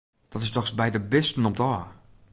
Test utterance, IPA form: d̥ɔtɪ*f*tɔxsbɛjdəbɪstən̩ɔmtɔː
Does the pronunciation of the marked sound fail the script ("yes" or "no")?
yes